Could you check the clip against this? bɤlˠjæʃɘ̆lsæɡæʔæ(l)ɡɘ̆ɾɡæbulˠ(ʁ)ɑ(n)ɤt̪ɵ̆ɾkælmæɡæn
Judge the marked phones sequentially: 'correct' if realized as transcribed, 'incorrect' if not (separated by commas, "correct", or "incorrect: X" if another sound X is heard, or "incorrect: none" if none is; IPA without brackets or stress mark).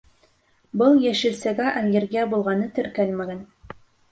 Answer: correct, correct, correct